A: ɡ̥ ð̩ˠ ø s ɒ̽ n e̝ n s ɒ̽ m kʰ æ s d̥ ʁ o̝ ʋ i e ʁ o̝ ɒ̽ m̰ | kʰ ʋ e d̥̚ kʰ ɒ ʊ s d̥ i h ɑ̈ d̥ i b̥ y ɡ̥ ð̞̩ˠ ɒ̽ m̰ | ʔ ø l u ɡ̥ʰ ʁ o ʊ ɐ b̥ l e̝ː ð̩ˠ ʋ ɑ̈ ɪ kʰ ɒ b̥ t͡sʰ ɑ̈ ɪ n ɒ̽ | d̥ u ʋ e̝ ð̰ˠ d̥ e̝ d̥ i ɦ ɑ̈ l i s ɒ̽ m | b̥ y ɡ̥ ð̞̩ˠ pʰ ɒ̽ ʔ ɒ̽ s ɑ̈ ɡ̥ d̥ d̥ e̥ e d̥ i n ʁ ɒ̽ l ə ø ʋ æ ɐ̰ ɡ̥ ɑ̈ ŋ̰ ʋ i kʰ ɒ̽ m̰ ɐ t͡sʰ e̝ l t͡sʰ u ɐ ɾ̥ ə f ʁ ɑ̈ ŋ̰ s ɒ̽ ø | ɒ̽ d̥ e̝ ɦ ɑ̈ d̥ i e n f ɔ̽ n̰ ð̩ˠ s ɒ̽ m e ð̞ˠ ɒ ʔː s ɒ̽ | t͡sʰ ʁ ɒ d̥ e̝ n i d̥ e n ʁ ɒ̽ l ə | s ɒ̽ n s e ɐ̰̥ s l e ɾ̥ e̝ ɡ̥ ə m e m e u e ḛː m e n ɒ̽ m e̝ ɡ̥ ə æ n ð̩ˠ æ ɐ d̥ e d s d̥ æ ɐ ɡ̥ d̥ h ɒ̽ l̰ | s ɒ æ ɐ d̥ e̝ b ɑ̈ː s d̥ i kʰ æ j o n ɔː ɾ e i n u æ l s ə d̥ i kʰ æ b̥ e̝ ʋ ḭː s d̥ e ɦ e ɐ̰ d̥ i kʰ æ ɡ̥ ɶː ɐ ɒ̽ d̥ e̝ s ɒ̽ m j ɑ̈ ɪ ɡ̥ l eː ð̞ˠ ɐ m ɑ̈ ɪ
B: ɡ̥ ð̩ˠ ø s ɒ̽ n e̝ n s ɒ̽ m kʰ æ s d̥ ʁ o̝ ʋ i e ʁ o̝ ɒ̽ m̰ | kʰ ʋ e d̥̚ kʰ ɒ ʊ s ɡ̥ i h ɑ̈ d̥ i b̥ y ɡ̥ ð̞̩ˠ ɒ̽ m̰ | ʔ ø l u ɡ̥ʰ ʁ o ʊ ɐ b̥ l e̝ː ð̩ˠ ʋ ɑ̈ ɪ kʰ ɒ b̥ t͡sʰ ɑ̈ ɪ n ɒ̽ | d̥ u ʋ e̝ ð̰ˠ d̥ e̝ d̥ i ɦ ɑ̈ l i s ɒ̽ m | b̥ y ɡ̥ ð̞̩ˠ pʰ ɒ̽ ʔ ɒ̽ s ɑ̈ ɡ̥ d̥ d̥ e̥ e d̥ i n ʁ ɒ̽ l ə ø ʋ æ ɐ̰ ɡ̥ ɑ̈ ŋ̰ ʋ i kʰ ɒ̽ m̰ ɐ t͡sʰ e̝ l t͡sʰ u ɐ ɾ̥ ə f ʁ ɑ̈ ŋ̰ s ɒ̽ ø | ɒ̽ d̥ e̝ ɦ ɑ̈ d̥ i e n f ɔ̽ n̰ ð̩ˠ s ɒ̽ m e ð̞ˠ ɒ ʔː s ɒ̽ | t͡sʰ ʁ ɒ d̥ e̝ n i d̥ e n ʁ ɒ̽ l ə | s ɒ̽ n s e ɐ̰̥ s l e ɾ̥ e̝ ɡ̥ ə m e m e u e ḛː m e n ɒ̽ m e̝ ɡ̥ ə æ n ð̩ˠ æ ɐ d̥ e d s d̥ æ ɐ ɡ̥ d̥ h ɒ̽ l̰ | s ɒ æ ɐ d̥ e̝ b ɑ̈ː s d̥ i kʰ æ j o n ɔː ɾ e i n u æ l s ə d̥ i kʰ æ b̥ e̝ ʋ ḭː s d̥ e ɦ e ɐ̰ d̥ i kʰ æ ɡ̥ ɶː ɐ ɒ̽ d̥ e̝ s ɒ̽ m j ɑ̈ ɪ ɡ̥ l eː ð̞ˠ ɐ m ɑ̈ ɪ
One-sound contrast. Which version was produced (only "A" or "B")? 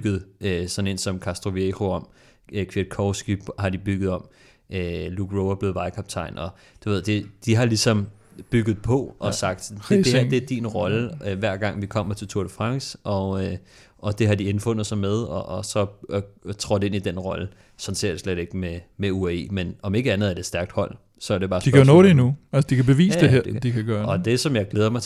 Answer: B